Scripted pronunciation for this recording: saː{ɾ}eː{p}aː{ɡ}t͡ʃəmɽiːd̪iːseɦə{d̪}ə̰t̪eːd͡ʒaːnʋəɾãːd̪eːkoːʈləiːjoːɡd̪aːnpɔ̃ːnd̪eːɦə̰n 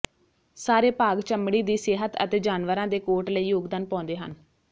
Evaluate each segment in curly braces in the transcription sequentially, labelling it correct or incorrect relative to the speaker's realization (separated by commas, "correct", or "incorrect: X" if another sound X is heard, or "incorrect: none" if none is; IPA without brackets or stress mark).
correct, correct, correct, incorrect: t̪